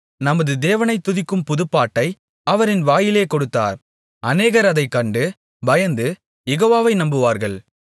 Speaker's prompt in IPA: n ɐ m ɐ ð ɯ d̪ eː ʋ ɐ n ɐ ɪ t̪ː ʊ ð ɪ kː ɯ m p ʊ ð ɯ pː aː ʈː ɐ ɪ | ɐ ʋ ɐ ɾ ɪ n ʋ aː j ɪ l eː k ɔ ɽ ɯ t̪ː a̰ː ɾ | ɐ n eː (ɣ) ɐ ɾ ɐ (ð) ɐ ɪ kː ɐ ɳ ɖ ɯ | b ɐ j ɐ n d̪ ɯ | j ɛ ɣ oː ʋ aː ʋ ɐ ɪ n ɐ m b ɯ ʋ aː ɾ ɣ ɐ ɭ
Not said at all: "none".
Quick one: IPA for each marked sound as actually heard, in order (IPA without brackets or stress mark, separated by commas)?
ɣ, ð